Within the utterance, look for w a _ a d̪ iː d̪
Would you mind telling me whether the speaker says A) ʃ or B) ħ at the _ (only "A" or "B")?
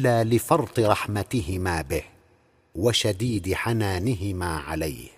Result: A